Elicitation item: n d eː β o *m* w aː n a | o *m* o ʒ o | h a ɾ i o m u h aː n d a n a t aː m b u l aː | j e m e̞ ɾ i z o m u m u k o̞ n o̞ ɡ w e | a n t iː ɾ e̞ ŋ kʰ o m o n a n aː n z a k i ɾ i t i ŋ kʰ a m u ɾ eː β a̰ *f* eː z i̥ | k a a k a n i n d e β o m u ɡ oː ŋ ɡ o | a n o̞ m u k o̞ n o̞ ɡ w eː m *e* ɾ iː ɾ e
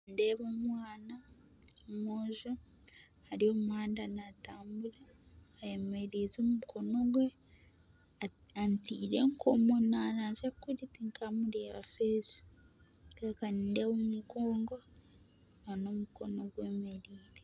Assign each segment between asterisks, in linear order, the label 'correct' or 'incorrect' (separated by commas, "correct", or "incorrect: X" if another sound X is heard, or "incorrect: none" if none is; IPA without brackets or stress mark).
correct, correct, correct, correct